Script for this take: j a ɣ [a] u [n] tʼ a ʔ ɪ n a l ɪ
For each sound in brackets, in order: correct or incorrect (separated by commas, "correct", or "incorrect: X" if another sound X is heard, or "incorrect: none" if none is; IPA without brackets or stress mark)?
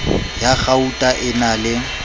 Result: correct, incorrect: none